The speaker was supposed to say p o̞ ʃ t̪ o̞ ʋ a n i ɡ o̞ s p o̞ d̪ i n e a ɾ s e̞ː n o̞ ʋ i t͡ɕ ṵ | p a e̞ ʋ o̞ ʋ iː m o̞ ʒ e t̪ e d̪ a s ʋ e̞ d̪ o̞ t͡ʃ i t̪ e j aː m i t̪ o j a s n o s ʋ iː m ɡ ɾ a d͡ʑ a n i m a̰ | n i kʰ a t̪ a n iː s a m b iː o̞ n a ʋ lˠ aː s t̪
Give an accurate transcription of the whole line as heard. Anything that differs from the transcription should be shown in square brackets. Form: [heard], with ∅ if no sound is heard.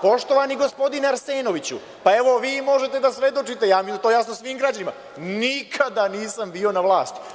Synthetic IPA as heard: p o̞ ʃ t̪ o̞ ʋ a n i ɡ o̞ s p o̞ d̪ i n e a ɾ s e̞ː n o̞ ʋ i t͡ɕ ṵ | p a e̞ ʋ o̞ ʋ iː m o̞ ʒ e t̪ e d̪ a s ʋ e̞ d̪ o̞ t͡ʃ i t̪ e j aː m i t̪ o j a s n o s ʋ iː m ɡ ɾ a d͡ʑ a n i m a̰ | n i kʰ a [d̪] a n iː s a m b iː o̞ n a ʋ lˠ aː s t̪